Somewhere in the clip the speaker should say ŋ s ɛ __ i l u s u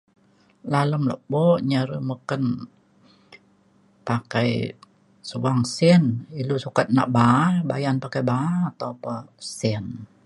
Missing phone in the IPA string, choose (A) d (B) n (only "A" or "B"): B